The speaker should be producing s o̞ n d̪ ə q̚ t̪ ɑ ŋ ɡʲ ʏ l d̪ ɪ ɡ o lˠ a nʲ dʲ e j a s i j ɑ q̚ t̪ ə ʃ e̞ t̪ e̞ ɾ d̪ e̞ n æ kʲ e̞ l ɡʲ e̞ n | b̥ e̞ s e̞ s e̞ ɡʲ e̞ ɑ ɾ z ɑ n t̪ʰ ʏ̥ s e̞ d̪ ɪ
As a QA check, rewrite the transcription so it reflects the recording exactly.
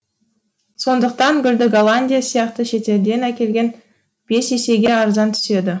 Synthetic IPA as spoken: s o̞ n d̪ ə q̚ t̪ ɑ ŋ ɡʲ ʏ l d̪ ɪ ɡ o lˠ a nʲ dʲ i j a s i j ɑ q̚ t̪ ə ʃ e̞ t̪ e̞ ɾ d̪ e̞ n æ kʲ e̞ l ɡʲ e̞ n | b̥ e̞ s e̞ s e̞ ɡʲ e̞ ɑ ɾ z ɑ n t̪ʰ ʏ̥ s e̞ d̪ ɪ